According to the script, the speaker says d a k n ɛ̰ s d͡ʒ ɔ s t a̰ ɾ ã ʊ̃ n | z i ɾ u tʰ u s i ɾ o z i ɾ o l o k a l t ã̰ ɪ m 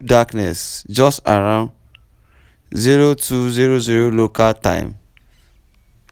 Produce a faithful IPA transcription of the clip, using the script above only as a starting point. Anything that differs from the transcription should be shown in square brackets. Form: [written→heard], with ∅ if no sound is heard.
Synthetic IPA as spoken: d a k n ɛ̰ s d͡ʒ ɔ s t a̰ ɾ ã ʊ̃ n | z i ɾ [u→o] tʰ u [s→z] i ɾ o z i ɾ o l o k a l t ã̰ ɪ m